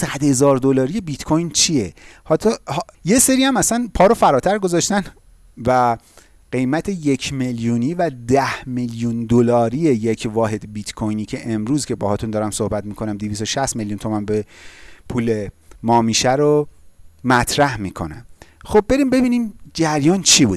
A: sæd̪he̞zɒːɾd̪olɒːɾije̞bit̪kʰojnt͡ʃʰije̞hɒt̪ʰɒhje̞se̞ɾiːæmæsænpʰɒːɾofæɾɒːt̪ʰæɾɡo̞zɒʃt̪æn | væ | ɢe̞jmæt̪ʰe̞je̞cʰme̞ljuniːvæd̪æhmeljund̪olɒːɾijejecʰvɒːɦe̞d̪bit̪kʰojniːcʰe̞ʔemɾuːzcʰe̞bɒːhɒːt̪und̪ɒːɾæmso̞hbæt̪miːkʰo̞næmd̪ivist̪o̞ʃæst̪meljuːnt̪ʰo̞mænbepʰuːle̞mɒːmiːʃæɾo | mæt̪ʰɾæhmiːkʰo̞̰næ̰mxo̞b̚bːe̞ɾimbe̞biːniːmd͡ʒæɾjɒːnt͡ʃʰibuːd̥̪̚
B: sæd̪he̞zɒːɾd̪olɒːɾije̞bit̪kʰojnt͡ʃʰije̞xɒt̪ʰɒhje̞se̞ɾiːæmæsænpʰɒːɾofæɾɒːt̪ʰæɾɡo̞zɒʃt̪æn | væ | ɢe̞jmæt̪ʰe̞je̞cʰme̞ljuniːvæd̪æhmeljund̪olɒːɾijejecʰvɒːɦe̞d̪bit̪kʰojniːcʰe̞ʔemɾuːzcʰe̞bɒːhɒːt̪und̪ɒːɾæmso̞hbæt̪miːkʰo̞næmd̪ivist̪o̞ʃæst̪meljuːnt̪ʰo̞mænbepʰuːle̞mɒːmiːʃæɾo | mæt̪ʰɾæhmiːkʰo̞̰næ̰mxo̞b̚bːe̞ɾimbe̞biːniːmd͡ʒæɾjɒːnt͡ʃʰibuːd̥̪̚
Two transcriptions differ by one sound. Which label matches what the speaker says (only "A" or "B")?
A